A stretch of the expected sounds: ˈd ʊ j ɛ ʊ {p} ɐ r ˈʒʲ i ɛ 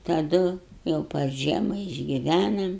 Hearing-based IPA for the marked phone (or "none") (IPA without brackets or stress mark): p